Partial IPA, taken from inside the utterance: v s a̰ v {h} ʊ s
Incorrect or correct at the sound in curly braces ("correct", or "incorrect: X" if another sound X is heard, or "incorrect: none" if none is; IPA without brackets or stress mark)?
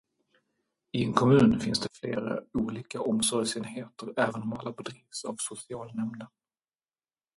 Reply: incorrect: s